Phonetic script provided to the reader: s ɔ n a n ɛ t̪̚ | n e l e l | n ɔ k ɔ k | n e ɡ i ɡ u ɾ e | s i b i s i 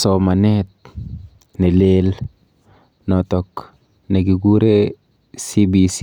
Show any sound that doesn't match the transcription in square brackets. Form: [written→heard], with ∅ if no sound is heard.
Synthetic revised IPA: s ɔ [n→m] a n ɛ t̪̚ | n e l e l | n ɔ [k→t] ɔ k | n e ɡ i ɡ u ɾ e | s i b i s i